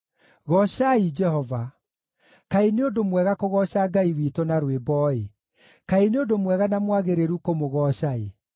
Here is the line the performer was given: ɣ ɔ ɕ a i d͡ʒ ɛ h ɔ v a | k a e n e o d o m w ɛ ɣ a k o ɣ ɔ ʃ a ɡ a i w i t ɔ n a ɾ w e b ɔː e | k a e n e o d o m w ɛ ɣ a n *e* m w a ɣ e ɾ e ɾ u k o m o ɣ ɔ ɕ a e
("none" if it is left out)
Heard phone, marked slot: a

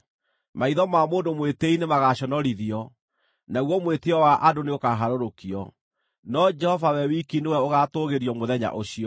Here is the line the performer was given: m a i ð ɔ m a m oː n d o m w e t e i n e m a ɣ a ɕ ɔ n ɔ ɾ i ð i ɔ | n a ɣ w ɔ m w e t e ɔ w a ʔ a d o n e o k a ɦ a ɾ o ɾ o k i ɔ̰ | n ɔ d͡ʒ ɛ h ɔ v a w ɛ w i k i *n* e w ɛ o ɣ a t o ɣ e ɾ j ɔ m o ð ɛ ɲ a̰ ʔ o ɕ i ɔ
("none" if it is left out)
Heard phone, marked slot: n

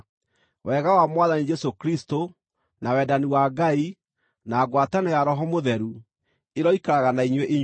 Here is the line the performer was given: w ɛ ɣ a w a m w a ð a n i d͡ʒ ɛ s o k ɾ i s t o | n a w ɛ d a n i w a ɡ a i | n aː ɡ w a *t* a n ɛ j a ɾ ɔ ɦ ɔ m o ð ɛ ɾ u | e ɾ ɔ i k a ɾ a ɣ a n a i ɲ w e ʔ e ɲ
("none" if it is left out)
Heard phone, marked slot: t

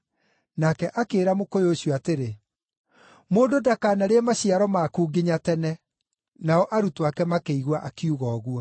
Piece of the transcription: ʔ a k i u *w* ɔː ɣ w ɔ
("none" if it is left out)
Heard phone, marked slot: ɣ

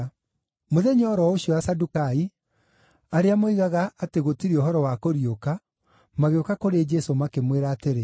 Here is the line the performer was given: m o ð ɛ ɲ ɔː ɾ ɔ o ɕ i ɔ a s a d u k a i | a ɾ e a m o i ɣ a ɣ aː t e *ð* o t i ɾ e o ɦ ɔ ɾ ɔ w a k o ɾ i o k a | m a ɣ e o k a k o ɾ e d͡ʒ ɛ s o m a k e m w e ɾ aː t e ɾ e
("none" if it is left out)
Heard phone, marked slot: ɣ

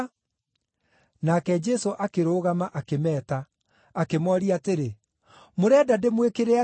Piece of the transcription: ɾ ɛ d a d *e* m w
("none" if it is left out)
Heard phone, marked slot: e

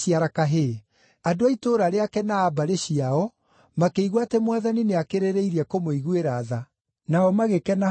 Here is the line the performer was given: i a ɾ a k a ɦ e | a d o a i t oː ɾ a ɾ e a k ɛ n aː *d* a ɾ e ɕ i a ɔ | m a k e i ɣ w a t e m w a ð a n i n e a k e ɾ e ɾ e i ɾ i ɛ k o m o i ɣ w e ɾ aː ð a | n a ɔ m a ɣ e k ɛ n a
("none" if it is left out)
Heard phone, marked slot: b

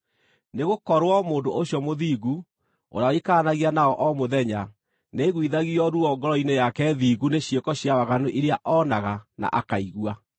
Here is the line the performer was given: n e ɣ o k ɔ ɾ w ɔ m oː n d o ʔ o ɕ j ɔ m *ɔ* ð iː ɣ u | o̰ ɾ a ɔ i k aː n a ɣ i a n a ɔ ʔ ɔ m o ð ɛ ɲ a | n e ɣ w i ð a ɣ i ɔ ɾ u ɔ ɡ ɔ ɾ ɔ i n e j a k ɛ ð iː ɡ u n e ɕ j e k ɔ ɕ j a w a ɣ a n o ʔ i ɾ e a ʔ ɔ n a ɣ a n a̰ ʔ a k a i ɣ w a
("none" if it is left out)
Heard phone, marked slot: o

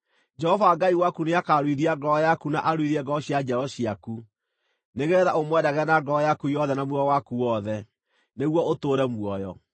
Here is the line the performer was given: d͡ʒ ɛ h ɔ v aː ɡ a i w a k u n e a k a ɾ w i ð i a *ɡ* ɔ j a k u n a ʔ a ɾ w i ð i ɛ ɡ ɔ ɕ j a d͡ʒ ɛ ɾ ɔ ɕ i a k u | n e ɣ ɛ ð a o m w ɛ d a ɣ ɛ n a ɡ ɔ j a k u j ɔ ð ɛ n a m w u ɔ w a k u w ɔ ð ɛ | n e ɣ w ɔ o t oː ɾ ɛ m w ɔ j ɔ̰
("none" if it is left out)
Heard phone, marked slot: ɡ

